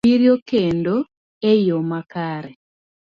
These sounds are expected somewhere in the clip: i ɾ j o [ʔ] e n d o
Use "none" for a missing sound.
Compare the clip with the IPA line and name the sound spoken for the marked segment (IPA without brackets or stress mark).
k